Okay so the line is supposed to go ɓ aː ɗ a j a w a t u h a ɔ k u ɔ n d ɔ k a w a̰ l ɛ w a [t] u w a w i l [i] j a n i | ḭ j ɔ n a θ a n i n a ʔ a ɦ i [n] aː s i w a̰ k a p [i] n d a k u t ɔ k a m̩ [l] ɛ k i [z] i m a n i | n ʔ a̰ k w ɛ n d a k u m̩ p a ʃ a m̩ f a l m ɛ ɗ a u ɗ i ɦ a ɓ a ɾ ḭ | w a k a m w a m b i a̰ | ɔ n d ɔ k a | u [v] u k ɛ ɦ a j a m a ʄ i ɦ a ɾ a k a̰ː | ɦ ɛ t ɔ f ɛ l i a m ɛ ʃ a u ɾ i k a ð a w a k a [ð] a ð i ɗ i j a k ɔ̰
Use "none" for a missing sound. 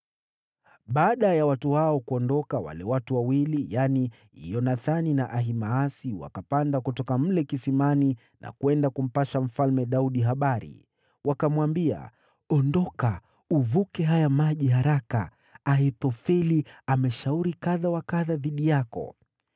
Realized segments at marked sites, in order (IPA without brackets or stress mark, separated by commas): t, i, m, a, l, s, v, ð